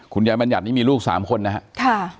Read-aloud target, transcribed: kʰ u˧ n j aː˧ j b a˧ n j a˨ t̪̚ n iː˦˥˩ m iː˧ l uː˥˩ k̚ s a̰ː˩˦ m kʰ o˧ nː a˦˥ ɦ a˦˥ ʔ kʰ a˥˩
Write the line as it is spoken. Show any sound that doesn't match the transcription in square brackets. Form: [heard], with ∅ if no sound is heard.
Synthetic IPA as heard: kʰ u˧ n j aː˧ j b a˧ n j a˨ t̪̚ n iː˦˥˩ m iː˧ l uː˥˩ k̚ s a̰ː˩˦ m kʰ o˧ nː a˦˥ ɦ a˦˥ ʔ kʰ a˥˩